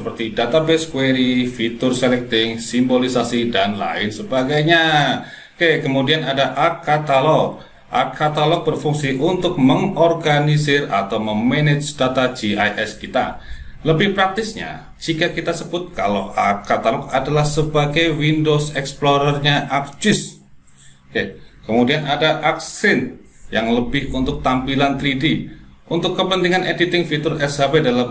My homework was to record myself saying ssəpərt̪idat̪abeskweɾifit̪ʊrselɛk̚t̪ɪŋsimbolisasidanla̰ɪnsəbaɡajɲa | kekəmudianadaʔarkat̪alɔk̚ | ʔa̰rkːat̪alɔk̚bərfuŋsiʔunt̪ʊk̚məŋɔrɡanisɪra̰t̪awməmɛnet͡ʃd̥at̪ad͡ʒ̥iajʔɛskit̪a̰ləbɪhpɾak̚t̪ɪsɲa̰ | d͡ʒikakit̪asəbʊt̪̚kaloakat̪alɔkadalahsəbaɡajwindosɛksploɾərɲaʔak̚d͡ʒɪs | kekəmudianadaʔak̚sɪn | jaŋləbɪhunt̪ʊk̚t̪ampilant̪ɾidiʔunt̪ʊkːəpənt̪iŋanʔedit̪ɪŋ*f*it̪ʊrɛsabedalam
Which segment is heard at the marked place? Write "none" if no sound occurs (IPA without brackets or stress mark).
f